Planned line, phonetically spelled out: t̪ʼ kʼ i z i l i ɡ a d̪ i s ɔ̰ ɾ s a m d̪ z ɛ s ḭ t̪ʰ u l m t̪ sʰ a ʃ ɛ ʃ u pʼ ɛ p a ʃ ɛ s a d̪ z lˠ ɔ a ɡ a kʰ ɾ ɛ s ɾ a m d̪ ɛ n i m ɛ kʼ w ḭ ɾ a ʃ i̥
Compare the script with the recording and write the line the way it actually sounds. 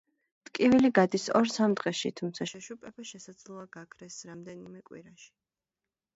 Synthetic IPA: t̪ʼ kʼ i v i l i ɡ a d̪ i s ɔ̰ ɾ s a m d̪ ʁ ɛ ʃ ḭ t̪ʰ u m t̪ sʰ a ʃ ɛ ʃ u pʼ ɛ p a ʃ ɛ s a d̪ z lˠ ɔ a ɡ a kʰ ɾ ɛ s ɾ a m d̪ ɛ n i m ɛ kʼ w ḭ ɾ a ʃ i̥